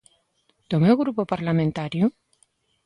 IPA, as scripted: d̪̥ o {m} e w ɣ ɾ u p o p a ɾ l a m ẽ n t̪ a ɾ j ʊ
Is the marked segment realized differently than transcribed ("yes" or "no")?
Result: no